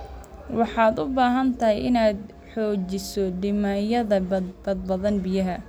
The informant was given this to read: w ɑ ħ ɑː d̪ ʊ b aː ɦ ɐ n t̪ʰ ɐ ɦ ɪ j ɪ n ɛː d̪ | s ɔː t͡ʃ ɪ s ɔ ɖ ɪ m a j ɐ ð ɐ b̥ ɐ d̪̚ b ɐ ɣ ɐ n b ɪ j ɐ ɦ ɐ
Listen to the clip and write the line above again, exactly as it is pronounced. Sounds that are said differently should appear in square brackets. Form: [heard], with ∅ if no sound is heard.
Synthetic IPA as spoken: w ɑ ħ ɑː d̪ ʊ b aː ɦ ɐ n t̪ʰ ɐ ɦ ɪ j ɪ n [aː] d̪ | [ħ] ɔː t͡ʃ ɪ s ɔ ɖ ɪ m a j ɐ ð ɐ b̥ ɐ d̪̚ b ɐ [ð] ɐ n b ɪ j ɐ ɦ ɐ